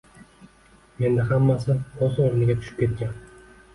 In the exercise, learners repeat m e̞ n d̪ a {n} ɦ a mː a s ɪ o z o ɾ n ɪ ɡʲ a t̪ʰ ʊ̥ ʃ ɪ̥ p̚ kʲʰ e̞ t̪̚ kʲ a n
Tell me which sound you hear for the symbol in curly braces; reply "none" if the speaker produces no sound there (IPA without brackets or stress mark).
none